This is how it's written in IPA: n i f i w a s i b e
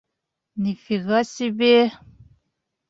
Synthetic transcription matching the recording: n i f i ɣ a s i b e